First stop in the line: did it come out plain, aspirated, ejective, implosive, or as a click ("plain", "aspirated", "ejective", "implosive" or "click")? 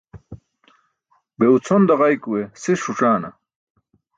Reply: plain